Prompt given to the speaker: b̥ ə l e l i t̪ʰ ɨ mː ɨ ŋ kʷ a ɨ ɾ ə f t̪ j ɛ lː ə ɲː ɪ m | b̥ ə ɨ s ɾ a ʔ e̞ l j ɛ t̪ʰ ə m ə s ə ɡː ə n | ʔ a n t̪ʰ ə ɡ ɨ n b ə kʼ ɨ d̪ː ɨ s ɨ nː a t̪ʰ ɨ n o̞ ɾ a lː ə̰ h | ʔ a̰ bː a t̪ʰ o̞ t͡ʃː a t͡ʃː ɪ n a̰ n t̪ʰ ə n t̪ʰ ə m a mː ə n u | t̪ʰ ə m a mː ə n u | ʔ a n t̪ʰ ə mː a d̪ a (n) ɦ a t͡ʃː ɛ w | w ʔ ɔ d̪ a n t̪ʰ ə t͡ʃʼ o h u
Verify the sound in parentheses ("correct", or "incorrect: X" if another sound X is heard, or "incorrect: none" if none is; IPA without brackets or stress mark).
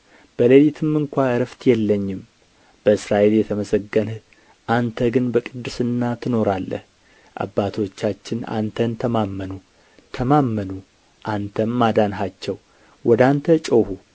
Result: correct